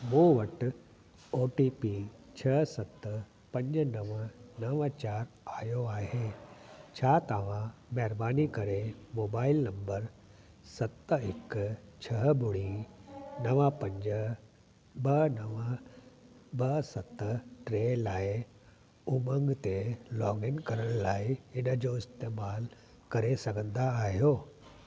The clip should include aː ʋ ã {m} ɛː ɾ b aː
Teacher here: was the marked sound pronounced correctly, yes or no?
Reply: yes